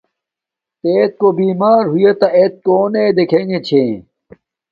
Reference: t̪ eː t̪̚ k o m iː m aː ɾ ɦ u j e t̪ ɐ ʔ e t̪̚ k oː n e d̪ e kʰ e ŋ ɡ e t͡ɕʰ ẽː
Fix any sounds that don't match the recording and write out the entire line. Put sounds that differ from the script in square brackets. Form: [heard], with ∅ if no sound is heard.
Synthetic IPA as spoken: t̪ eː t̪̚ k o [b] iː m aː ɾ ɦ u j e t̪ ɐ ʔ e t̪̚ k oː n e d̪ e kʰ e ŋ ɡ e t͡ɕʰ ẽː